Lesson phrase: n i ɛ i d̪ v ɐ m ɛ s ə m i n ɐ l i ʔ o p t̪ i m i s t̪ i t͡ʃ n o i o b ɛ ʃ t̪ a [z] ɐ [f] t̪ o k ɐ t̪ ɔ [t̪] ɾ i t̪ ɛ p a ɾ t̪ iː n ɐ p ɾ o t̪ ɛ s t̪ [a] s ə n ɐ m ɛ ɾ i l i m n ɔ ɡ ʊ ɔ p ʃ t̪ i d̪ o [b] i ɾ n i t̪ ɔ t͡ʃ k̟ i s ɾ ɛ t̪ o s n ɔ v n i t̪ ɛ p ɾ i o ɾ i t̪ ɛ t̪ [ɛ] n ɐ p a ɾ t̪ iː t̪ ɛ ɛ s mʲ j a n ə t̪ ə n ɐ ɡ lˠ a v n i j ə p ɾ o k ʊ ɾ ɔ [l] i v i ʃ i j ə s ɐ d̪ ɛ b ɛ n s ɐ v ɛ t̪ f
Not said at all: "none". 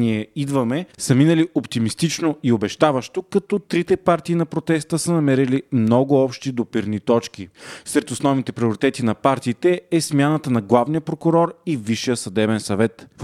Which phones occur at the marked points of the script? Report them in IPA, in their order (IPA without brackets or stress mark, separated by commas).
v, ʃ, t̪, ə, p, i, ɾ